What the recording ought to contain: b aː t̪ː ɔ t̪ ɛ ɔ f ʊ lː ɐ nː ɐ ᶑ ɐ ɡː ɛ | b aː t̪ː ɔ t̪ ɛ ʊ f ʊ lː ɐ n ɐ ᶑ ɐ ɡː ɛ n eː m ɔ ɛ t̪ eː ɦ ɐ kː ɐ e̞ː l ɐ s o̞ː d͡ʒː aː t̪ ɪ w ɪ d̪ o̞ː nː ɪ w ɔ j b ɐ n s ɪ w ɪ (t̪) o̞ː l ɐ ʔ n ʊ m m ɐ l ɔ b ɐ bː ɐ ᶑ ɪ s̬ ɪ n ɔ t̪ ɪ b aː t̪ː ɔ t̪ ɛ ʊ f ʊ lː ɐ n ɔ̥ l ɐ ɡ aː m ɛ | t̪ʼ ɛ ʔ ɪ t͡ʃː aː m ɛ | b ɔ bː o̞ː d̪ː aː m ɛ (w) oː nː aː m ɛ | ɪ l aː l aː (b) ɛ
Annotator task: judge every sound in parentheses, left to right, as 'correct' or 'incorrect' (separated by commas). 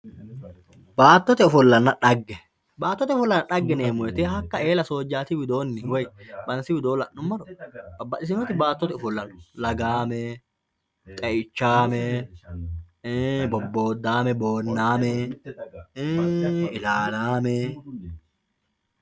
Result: incorrect, incorrect, incorrect